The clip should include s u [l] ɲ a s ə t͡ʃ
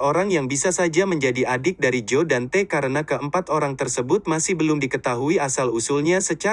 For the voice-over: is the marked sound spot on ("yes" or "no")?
yes